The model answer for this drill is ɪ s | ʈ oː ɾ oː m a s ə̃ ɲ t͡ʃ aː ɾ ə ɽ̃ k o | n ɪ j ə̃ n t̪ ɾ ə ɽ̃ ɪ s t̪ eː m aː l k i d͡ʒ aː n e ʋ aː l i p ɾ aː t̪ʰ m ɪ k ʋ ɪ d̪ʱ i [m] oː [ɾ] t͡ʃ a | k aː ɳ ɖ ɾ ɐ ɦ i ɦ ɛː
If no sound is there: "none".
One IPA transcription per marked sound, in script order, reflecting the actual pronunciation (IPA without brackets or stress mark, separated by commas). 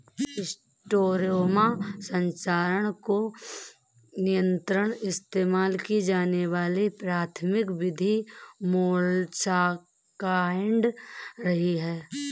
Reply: m, l